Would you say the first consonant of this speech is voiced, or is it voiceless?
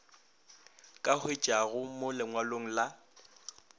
voiceless